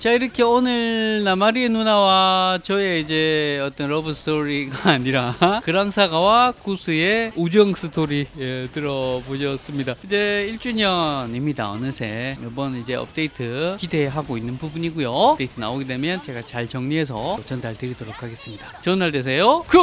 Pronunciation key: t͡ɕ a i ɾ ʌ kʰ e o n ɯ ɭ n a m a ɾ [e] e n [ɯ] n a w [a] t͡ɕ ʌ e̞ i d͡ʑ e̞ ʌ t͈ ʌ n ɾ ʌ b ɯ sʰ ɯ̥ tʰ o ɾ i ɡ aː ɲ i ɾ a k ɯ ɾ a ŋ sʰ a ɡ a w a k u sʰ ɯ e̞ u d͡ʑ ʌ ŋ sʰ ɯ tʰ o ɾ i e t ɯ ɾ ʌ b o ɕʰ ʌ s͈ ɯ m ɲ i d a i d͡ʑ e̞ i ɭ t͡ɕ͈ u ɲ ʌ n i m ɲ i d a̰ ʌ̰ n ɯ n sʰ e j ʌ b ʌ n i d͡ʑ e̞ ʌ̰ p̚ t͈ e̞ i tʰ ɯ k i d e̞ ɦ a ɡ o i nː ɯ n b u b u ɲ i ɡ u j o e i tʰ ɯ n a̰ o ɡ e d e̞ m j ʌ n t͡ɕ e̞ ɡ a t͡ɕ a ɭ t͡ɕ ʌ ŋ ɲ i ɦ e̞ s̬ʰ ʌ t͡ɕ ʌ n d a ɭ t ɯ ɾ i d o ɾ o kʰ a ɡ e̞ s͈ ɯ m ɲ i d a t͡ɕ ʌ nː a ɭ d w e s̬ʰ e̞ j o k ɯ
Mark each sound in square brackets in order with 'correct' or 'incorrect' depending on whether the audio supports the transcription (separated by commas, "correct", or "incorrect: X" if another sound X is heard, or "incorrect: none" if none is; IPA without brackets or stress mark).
incorrect: i, incorrect: u, correct